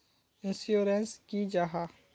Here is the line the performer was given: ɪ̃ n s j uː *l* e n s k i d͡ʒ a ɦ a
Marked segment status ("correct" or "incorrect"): incorrect